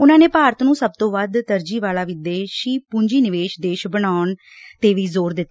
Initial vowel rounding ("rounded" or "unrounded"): rounded